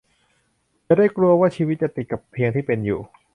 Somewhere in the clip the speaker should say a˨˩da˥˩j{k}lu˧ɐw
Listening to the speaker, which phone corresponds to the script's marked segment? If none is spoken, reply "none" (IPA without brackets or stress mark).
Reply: k